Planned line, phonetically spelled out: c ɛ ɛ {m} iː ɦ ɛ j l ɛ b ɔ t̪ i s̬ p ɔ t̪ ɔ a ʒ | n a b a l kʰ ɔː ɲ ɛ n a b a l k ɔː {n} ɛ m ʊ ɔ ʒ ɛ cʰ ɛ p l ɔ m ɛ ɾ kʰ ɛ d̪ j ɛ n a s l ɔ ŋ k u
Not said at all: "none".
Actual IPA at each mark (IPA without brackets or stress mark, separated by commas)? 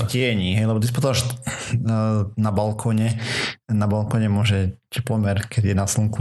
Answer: ɲ, ɲ